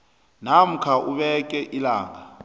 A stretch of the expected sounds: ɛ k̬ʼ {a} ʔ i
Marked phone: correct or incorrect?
incorrect